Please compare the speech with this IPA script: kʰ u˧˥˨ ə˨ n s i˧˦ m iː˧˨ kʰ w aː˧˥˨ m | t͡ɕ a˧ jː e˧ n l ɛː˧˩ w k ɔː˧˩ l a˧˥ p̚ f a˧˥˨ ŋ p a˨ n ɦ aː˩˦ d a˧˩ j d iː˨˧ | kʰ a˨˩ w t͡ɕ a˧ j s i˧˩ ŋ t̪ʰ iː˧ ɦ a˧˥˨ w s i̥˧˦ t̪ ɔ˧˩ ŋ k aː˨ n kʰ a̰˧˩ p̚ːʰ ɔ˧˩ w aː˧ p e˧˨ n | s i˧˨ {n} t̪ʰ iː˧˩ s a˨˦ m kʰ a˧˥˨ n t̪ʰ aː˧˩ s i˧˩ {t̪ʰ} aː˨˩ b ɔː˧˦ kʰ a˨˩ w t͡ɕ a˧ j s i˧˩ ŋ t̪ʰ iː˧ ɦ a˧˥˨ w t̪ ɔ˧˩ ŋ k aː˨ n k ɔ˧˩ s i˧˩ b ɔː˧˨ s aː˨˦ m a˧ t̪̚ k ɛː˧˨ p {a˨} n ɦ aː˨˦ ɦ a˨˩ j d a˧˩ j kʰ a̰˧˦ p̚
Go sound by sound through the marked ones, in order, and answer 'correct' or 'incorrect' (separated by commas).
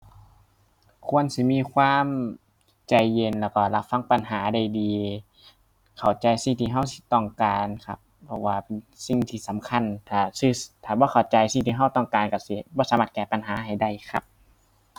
incorrect, correct, correct